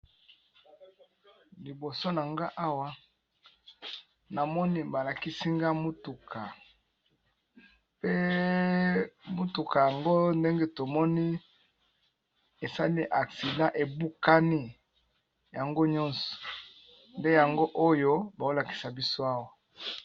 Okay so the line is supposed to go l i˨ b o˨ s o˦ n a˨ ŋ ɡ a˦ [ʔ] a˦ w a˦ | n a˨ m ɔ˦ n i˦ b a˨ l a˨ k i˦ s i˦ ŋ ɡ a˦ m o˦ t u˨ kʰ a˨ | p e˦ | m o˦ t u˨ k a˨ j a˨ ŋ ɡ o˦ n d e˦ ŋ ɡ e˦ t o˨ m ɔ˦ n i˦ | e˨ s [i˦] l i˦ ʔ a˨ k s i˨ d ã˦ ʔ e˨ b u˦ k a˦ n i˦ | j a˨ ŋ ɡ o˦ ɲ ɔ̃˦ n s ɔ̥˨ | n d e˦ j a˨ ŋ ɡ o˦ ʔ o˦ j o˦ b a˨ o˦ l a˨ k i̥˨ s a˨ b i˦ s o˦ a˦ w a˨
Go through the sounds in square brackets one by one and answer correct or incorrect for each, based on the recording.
correct, incorrect

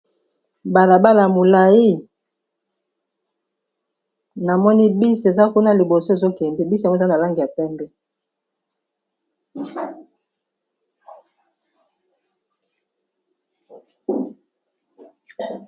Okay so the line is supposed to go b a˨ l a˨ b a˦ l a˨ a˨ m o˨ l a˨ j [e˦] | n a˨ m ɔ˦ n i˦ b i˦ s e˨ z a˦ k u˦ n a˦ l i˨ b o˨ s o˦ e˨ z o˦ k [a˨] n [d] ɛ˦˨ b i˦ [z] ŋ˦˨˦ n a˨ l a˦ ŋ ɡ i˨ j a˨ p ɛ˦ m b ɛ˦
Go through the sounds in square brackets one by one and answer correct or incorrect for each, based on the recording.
incorrect, incorrect, correct, incorrect

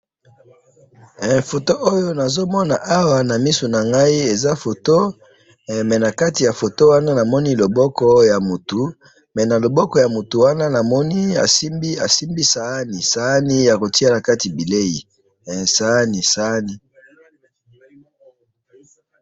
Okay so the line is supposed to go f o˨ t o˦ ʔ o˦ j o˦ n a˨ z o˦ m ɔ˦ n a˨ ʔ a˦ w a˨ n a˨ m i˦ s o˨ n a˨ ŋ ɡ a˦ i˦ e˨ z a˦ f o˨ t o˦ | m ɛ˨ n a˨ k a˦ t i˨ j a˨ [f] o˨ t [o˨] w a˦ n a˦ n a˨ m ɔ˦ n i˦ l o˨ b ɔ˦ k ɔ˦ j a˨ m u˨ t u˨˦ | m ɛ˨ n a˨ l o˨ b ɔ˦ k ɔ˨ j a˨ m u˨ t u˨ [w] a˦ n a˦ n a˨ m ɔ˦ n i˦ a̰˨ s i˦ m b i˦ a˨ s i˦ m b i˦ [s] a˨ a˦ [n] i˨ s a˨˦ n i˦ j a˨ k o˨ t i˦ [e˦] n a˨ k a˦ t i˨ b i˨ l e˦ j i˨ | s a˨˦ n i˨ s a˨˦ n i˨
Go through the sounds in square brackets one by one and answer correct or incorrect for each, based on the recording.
correct, incorrect, correct, correct, correct, incorrect

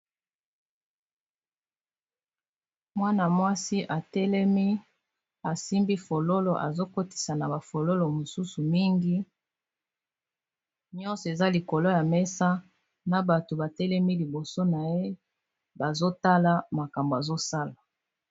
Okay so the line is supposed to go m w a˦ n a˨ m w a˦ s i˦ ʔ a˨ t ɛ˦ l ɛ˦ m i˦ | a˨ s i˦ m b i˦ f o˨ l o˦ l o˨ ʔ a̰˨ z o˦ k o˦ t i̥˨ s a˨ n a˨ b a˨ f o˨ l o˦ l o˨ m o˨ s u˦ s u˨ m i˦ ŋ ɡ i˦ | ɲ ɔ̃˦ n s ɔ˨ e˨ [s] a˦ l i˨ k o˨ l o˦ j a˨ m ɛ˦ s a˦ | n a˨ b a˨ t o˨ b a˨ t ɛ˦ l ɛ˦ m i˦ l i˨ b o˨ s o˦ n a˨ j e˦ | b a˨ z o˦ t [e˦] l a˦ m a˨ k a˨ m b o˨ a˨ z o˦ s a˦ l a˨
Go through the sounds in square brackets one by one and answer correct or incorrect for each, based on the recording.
incorrect, incorrect

